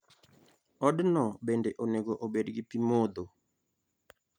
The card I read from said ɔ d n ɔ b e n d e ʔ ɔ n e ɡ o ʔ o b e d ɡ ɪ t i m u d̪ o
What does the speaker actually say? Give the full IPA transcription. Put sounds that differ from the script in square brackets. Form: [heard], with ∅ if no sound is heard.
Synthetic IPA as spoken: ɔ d n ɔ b e n d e ʔ [o] n e ɡ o ʔ o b e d ɡ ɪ [p] i m [o] d̪ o